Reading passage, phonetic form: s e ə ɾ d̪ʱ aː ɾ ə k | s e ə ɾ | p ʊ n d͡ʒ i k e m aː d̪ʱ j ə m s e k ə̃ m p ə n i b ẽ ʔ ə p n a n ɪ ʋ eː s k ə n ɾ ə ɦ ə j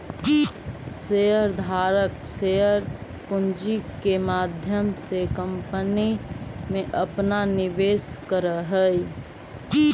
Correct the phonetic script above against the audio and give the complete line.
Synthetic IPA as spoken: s e ə ɾ d̪ʱ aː ɾ ə k | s e ə ɾ | p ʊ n d͡ʒ i k e m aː d̪ʱ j ə m s e k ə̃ m p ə n i m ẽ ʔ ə p n a n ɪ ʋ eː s k ə ɾ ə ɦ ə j